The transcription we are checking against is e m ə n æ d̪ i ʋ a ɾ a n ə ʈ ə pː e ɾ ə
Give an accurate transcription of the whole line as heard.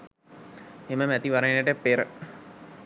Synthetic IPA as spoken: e m ə m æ t̪ i ʋ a ɾ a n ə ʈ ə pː e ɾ ə